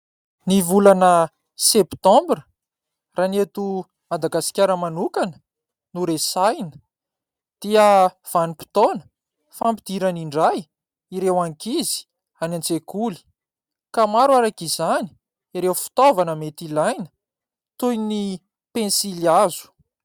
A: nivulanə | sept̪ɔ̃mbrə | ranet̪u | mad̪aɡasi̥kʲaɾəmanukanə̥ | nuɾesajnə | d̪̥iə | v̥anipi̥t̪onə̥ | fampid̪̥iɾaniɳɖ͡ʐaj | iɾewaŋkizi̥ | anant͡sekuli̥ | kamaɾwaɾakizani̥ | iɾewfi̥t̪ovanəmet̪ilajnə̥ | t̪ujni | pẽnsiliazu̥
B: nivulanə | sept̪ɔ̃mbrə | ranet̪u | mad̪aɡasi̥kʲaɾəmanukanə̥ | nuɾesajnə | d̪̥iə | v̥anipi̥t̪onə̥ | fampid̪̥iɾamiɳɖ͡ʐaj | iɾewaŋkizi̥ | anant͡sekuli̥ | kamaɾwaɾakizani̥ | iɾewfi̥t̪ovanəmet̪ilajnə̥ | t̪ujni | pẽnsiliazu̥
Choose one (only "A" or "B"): A